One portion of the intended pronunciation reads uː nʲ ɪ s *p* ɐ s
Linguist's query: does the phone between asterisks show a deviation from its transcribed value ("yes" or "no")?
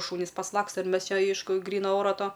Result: no